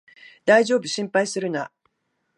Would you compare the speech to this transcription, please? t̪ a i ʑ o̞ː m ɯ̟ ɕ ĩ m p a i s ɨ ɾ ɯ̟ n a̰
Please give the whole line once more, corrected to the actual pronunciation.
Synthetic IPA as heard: d̪ a i ʑ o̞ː b ɯ̟ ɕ ĩ m p a i s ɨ ɾ ɯ̟ n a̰